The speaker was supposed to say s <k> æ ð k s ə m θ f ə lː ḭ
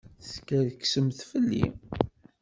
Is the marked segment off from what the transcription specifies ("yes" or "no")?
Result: no